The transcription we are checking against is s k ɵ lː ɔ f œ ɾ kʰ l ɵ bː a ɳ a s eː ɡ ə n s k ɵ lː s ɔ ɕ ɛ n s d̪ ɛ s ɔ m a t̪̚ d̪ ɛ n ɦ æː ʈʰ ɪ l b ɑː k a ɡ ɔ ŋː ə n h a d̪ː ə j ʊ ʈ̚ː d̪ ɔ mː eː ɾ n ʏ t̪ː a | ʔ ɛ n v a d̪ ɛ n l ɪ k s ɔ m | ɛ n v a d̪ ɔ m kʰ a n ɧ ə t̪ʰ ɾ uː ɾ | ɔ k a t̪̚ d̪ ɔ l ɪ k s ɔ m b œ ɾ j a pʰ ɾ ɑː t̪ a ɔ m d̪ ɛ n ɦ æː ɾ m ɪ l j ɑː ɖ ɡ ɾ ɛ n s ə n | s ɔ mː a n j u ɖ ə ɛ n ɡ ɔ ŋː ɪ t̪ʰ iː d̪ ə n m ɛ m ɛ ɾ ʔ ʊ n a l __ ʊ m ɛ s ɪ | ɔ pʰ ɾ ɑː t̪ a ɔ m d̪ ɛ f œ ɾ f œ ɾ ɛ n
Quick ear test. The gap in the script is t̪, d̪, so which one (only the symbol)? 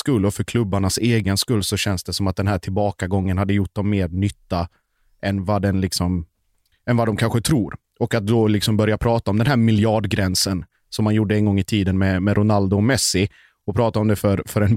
d̪